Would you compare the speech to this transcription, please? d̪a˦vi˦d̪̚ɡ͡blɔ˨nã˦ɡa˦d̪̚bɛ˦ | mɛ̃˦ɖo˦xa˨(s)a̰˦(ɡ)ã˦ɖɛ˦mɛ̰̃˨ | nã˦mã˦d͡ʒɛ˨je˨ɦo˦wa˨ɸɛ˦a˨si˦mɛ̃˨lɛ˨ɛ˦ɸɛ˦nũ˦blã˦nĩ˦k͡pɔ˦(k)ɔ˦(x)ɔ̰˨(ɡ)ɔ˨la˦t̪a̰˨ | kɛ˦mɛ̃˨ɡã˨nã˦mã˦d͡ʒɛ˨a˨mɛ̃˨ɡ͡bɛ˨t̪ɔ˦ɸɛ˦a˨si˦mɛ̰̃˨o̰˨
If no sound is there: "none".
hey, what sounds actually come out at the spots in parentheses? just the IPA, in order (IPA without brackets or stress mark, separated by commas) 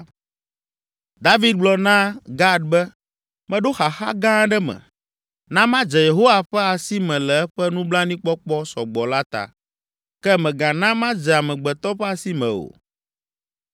x, ɡ, k͡p, s, ɡ͡b